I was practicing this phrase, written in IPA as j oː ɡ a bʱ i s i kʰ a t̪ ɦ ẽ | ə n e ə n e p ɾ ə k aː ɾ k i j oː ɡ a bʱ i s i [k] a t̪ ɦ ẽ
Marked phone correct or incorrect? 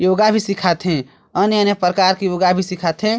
incorrect